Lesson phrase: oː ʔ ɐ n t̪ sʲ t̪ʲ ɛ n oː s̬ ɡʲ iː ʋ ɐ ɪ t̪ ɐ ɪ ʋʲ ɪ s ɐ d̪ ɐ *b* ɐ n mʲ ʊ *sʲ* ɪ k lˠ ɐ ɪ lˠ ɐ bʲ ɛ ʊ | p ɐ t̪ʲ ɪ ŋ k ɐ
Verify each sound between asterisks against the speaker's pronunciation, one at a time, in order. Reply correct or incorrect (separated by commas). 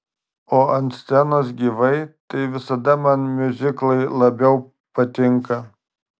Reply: incorrect, incorrect